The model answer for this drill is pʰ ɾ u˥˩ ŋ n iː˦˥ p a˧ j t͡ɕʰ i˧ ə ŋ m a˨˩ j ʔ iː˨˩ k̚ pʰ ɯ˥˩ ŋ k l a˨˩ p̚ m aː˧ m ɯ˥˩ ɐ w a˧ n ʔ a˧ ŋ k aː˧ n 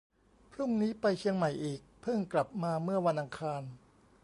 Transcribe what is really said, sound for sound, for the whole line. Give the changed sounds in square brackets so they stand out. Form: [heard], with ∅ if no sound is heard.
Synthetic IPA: pʰ ɾ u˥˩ ŋ n iː˦˥ p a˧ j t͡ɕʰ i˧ ə ŋ m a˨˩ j ʔ iː˨˩ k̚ pʰ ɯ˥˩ ŋ k l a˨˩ p̚ m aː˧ m ɯ˥˩ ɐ w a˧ n ʔ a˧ ŋ [kʰ] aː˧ n